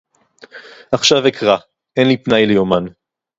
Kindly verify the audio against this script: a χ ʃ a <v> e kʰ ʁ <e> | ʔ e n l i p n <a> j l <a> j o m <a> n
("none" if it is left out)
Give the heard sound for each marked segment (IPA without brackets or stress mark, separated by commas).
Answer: v, a, a, e, a